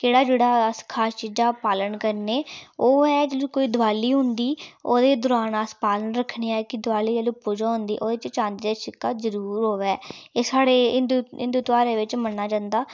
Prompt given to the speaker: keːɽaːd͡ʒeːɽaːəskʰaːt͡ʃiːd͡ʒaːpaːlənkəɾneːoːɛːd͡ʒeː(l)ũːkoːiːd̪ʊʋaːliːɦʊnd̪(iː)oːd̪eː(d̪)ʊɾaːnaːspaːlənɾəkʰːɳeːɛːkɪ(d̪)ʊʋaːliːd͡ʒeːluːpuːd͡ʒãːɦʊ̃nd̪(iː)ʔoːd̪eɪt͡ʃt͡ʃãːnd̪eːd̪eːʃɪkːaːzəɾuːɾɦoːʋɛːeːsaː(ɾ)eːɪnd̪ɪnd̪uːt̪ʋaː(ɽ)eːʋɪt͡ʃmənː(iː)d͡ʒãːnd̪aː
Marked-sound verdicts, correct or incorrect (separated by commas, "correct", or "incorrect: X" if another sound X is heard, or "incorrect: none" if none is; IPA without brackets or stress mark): correct, correct, correct, correct, correct, incorrect: ɽ, incorrect: ɾ, incorrect: aː